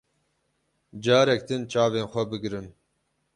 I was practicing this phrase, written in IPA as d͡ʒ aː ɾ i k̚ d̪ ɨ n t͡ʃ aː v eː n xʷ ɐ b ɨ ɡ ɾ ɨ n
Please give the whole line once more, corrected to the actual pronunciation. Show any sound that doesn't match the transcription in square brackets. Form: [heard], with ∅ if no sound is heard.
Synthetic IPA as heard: d͡ʒ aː ɾ [ɛ] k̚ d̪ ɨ n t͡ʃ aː v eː n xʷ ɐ b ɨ ɡ ɾ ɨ n